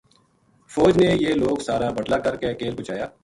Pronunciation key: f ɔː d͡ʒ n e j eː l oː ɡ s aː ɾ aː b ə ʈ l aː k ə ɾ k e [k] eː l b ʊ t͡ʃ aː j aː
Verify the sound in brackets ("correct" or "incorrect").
correct